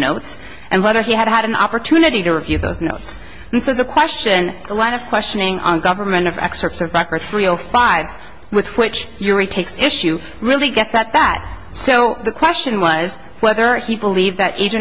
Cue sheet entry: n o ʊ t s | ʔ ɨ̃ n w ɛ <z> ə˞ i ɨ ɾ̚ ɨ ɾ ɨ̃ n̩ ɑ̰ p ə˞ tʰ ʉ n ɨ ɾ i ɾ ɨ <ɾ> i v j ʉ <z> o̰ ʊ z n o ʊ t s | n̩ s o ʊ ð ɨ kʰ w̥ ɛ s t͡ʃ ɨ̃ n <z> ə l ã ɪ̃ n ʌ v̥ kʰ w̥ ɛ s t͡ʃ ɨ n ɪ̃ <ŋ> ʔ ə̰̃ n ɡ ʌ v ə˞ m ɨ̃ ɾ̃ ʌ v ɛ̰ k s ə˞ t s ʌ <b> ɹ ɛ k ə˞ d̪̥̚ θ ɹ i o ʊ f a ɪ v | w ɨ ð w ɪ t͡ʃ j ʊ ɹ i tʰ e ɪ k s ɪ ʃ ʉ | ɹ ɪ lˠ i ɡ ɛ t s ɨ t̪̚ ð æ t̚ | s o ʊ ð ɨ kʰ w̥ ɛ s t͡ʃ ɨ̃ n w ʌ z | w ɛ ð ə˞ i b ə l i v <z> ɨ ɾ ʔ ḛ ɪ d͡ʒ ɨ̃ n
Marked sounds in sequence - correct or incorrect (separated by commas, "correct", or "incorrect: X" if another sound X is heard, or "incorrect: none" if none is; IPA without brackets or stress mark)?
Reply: incorrect: ð, incorrect: ɹ, incorrect: ð, incorrect: ð, correct, incorrect: v, incorrect: ð